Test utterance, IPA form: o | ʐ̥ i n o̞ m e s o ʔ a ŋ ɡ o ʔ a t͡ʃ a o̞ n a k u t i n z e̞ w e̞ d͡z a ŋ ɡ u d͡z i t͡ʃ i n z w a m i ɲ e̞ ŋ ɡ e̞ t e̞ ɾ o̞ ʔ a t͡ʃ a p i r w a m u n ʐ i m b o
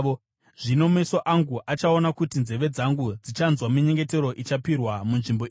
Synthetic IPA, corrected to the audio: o | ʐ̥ i n o̞ m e s o ʔ a ŋ ɡ u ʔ a t͡ʃ a o̞ n a k u t i n z e̞ ʋ e̞ d͡z a ŋ ɡ u d͡z i t͡ʃ a n z w a m i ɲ e̞ ŋ ɡ e̞ t e̞ ɾ o̞ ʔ i t͡ʃ a p i r w a m u n ʐ i m b o